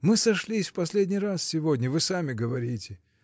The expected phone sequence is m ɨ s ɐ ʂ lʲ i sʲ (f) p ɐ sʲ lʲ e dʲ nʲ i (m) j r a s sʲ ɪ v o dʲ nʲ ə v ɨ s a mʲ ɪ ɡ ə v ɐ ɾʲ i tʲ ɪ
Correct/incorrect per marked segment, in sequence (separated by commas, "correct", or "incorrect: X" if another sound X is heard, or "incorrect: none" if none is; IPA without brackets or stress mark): correct, incorrect: none